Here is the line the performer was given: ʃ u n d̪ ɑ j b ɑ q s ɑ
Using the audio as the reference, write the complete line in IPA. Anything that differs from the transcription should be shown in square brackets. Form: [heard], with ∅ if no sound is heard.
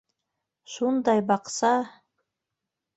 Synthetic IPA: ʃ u n d̪ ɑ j b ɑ q s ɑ